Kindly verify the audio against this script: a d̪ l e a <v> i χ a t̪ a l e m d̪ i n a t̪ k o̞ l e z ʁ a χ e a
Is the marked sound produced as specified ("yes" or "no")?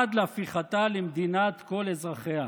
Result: no